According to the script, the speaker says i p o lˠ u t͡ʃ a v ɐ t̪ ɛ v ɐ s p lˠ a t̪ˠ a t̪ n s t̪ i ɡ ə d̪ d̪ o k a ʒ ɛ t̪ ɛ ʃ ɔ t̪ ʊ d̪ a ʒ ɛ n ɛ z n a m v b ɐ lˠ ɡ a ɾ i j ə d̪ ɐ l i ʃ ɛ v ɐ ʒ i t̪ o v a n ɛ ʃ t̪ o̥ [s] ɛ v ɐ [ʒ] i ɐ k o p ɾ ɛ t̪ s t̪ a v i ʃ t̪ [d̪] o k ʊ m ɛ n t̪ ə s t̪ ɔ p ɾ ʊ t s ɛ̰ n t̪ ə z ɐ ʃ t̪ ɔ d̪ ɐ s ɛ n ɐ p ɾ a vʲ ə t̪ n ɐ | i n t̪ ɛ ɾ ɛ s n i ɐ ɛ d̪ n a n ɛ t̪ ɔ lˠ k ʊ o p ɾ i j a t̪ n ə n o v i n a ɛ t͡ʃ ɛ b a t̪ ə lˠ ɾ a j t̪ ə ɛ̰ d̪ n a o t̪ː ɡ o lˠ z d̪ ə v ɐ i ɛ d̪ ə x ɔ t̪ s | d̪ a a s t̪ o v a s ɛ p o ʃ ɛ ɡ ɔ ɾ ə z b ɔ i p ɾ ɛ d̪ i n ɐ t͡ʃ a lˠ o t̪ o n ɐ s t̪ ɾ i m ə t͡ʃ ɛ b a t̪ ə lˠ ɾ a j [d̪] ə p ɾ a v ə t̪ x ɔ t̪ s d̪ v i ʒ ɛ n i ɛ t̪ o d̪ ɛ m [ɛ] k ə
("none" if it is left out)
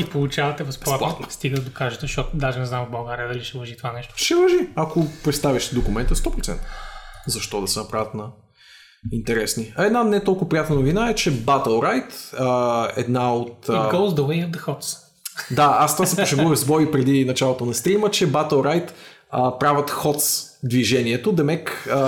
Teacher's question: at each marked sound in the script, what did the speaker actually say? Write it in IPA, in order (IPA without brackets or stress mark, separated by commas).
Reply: ʃ, ʒ, d̪, t̪, ɛ